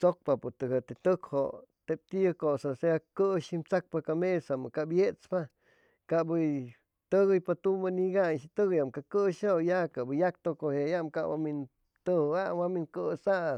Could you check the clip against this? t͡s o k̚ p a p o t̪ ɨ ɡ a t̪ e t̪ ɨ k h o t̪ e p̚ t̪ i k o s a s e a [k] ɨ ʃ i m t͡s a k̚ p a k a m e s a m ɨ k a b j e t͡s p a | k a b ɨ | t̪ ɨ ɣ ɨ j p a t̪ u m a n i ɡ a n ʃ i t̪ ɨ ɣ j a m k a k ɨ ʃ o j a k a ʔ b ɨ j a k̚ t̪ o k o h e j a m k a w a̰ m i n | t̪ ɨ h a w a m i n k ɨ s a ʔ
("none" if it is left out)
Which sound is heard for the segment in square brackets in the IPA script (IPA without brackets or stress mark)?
k